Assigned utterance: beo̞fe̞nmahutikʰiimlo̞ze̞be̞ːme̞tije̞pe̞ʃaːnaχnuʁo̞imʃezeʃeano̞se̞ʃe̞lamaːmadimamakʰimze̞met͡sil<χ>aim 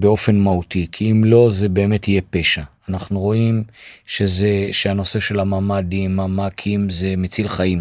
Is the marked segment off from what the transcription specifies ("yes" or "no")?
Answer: no